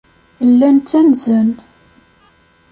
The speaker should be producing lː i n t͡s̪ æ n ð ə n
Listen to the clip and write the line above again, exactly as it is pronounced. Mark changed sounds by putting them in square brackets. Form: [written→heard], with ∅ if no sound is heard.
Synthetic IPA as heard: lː [i→æ] n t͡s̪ æ n [ð→z] ə n